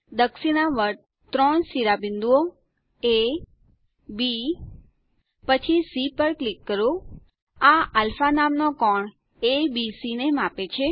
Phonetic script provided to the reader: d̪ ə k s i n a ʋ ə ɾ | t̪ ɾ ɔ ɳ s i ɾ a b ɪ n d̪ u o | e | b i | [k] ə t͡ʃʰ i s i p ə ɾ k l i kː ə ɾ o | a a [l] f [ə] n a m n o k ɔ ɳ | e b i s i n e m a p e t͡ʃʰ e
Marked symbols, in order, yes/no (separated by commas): no, yes, no